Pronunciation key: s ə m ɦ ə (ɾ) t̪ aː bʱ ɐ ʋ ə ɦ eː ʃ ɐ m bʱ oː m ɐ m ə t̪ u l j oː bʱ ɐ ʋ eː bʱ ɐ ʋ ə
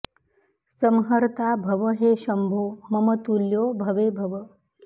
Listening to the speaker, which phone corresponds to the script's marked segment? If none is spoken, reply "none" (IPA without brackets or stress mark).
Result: ɾ